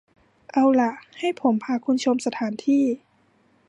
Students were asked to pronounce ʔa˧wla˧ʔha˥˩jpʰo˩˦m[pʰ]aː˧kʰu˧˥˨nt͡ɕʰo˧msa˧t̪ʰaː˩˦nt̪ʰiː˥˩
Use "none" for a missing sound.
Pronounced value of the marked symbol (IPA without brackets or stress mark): pʰ